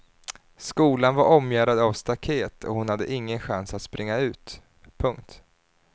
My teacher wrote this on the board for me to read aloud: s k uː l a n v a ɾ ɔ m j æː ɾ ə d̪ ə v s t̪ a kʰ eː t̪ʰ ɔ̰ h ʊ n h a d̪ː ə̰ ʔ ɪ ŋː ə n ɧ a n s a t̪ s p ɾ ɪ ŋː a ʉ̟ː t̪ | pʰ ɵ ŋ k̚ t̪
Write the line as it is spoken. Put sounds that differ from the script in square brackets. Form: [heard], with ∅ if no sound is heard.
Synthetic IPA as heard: s k uː l a n v a ɾ ɔ m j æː ɾ [a] d̪ [a] v s t̪ a kʰ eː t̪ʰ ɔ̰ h ʊ n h a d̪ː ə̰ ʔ ɪ ŋː ə n ɧ a n s a t̪ s p ɾ ɪ ŋː a ʉ̟ː t̪ | pʰ ɵ ŋ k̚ t̪